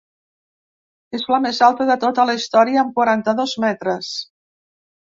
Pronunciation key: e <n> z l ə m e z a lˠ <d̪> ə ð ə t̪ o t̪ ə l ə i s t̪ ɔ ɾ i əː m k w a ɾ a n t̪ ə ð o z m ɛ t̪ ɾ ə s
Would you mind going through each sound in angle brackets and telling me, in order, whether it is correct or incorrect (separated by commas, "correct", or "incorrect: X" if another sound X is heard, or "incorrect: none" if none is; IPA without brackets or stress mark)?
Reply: incorrect: none, incorrect: t̪